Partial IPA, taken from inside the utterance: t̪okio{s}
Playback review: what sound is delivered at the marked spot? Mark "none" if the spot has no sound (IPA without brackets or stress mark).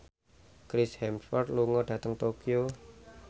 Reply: none